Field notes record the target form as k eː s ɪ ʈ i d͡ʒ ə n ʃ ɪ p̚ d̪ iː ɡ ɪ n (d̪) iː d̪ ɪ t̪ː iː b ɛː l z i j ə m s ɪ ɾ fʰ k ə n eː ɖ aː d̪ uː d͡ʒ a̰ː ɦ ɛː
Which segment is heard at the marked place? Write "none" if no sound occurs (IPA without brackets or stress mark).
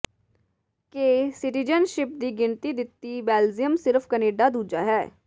t̪